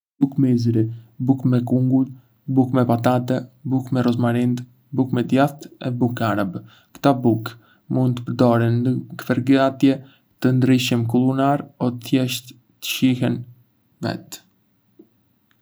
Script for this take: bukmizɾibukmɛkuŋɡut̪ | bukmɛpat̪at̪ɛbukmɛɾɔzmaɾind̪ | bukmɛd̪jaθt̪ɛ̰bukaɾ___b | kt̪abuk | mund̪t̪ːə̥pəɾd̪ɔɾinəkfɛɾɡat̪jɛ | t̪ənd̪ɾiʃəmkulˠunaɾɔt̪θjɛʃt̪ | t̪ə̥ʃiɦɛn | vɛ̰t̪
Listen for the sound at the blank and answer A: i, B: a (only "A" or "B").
B